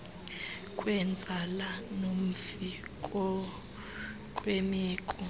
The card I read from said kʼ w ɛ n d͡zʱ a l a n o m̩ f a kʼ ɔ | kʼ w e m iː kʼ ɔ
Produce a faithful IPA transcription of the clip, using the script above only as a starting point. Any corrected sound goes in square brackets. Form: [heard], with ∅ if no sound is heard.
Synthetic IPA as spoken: kʼ w ɛ n d͡zʱ a l a n o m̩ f [i] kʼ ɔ | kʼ w e m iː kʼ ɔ